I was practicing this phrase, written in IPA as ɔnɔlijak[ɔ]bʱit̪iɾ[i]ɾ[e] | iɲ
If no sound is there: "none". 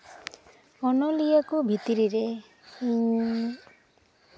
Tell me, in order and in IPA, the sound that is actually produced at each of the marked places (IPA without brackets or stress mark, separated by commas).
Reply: u, i, e